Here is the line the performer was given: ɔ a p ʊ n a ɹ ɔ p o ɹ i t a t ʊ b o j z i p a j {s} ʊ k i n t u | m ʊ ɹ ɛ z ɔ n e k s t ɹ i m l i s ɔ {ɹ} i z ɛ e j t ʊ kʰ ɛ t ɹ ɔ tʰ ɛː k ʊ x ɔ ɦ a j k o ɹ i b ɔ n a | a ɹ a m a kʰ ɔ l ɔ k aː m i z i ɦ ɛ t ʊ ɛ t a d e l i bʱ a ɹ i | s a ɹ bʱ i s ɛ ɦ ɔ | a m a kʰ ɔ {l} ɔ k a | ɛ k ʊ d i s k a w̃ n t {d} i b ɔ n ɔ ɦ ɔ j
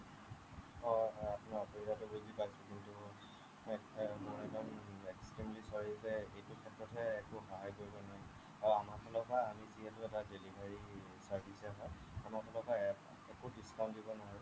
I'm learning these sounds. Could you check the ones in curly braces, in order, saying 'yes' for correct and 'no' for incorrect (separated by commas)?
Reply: yes, yes, yes, yes